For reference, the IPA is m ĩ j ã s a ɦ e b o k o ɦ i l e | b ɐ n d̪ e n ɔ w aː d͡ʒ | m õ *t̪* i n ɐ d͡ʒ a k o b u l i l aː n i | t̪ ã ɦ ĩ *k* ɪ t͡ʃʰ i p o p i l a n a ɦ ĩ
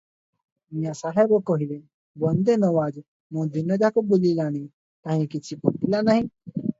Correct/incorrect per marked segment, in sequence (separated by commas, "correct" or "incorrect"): incorrect, correct